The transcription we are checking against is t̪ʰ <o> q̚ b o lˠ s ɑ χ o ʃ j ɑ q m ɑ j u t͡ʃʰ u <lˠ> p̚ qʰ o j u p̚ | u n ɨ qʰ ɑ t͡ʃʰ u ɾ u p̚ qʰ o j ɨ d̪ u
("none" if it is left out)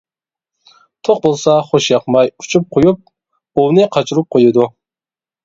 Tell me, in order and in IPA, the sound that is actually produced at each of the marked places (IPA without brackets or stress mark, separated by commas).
o, none